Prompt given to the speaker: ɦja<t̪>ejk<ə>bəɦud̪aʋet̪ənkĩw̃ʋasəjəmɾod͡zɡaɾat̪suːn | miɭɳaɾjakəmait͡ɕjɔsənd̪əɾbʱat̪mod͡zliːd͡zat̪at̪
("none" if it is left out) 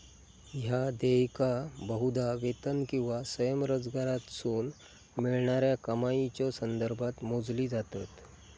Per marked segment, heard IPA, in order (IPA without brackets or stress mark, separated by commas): d̪, a